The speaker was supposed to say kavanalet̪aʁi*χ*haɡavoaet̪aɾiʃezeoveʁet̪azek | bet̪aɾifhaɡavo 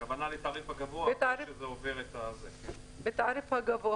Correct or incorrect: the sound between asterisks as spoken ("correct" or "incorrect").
incorrect